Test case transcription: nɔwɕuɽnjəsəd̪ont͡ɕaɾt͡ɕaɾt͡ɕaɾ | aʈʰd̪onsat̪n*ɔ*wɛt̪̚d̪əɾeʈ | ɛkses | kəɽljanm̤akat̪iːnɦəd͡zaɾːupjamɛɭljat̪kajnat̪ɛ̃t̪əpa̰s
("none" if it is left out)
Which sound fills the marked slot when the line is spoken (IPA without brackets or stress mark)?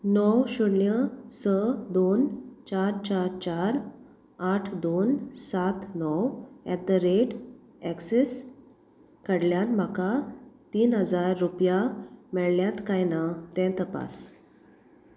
ɔ